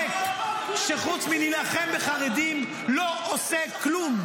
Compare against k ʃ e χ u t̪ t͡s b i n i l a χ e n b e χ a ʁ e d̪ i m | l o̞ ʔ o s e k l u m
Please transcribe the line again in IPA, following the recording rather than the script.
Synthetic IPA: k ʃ e χ u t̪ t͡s m i n i l a χ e m b e χ a ʁ e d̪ i m | l o̞ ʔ o s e k l u m